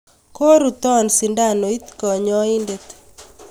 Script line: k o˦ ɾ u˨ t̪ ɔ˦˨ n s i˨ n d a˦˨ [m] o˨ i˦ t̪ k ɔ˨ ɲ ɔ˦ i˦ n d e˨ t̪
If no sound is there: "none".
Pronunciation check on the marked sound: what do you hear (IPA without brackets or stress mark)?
n